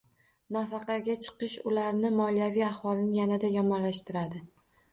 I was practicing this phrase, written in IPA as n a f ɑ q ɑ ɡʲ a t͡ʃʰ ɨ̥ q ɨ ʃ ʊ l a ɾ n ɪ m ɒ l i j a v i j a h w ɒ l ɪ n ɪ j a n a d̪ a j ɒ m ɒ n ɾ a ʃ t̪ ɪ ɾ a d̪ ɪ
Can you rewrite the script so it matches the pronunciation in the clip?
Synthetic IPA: n a f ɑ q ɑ ɡʲ a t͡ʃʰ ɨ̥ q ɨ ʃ ʊ l a ɾ n ɪ m ɒ l i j a v i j a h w ɒ l ɪ n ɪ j a n a d̪ a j ɒ m ɒ n l a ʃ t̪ ɪ ɾ a d̪ ɪ